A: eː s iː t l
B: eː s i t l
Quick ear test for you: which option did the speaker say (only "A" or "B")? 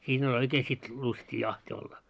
B